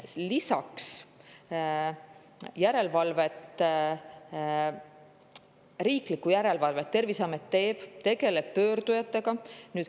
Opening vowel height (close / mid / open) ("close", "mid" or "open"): close